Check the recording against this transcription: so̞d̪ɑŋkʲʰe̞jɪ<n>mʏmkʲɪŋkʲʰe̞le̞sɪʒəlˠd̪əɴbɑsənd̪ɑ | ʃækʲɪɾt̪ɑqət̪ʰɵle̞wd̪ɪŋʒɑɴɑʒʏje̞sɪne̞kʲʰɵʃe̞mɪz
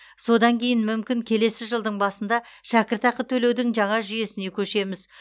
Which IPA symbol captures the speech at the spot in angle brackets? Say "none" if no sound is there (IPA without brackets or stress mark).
n